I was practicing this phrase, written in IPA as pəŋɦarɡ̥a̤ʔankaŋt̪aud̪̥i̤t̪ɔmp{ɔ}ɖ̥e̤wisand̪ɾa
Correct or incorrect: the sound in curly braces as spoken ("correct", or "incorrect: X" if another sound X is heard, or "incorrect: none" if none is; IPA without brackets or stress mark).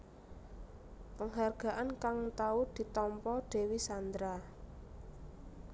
correct